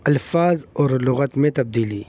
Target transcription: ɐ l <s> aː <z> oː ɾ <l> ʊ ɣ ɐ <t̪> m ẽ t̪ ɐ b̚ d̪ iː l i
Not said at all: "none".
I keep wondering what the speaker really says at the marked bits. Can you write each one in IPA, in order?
f, z, l, t̪

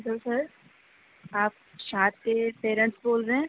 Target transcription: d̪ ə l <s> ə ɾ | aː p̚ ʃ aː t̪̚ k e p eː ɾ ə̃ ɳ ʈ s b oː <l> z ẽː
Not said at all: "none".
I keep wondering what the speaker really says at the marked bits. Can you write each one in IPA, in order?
s, l

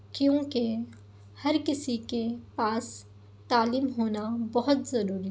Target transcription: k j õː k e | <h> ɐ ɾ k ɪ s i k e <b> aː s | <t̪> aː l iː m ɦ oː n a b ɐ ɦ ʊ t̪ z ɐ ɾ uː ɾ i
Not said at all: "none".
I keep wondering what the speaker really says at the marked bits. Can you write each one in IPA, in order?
h, p, t̪

